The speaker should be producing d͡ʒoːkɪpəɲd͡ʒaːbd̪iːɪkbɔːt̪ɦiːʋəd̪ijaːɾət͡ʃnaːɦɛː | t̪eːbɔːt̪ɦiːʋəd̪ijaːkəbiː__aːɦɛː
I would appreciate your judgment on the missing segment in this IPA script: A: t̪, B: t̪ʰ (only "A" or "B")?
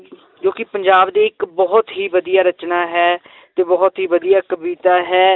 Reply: A